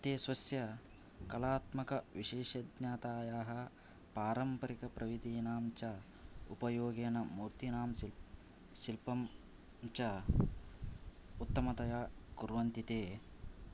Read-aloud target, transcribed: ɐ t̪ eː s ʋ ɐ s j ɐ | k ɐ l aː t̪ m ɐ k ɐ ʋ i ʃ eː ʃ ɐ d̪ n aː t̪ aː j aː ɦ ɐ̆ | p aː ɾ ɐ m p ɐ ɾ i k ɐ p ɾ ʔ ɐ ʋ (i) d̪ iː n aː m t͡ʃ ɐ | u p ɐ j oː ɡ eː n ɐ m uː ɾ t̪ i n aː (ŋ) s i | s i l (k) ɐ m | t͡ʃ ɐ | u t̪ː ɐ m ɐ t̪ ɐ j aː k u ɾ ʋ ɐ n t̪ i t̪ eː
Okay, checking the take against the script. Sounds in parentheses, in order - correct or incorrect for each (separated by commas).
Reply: correct, incorrect, incorrect